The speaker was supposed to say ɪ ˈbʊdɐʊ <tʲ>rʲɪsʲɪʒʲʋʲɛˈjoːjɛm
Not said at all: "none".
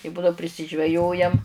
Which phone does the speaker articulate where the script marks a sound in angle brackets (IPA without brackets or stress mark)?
pʲ